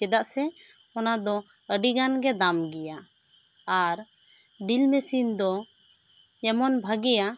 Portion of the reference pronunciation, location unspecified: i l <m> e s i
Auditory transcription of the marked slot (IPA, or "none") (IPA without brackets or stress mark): m